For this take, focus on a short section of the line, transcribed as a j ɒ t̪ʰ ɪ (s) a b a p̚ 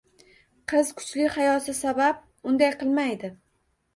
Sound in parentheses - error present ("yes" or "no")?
no